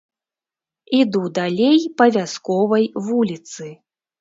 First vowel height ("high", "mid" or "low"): high